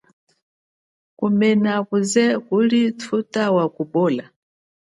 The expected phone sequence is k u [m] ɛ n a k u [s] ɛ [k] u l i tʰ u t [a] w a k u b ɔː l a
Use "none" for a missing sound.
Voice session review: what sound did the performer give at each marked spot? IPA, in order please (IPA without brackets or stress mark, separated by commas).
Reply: m, z, k, a